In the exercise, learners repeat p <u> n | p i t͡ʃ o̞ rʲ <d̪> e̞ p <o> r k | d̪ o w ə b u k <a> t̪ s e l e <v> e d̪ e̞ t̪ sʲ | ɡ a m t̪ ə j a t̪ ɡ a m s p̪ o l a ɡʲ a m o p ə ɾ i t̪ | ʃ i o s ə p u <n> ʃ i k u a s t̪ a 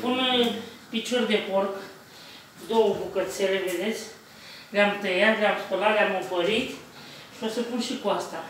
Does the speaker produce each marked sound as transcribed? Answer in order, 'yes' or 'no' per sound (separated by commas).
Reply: yes, yes, yes, no, yes, yes